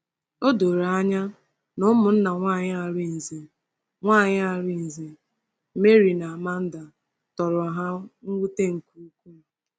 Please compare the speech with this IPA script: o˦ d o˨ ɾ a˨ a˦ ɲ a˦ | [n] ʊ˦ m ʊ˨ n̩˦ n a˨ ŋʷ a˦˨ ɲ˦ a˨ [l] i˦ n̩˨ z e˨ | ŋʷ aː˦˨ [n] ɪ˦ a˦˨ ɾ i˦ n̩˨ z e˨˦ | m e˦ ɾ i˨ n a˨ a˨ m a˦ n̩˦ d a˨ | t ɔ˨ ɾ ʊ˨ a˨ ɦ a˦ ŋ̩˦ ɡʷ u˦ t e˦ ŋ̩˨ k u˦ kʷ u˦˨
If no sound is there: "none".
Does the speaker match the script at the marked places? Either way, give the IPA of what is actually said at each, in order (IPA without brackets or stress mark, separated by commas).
n, ɾ, ɲ